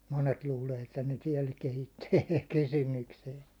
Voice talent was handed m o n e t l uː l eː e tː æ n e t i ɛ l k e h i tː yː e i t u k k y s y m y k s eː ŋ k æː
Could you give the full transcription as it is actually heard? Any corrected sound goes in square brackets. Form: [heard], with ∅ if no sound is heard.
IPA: m o n e t l uː l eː e tː æ n e t i ɛ l k e h i tː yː e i t u k k y s y m y k s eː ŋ k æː